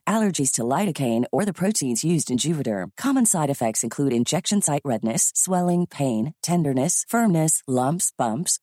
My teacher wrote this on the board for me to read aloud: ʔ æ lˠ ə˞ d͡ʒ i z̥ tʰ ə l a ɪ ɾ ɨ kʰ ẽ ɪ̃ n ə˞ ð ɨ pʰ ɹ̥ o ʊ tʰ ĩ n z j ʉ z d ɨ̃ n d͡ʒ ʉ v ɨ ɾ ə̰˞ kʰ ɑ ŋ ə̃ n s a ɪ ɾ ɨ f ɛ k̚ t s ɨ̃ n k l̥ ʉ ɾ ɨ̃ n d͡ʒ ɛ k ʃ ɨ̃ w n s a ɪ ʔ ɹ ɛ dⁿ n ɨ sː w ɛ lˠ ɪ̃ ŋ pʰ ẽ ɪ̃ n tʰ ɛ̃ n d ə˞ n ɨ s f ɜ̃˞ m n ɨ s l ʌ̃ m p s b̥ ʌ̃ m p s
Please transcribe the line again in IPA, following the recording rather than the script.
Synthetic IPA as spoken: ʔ æ lˠ ə˞ d͡ʒ i z̥ tʰ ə l a ɪ ɾ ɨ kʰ ẽ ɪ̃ n ə˞ ð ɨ pʰ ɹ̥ o ʊ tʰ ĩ n z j ʉ z d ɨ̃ n d͡ʒ ʉ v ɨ ɾ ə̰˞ kʰ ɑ m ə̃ n s a ɪ ɾ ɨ f ɛ k̚ t s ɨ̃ n kʰ l̥ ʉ ɾ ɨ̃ n d͡ʒ ɛ k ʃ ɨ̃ n s a ɪ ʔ ɹ ɛ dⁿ n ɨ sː w ɛ lˠ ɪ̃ ŋ pʰ ẽ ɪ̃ n tʰ ɛ̃ n d ə˞ n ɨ s f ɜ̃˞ m n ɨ s l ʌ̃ m p s b̥ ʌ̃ m p s